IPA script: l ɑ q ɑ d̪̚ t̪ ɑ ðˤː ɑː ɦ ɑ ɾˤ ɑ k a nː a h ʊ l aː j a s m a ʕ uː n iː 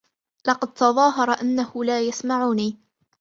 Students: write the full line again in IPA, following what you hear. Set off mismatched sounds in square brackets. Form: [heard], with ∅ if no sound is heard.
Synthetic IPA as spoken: l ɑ q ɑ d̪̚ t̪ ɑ [ðˤ] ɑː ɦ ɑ ɾˤ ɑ [ʔ] a nː a h ʊ l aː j a s m a ʕ uː n iː